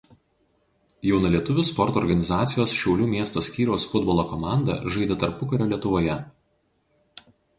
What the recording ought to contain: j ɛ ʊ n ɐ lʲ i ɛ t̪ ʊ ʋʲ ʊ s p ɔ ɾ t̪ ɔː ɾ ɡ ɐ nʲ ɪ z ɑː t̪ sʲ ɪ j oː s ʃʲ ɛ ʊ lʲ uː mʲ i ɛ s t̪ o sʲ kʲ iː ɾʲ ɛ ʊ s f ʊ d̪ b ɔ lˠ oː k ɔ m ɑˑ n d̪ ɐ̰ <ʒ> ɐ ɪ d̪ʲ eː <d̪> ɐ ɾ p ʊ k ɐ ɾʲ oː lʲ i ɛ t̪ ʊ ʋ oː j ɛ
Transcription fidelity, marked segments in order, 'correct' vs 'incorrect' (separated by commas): correct, incorrect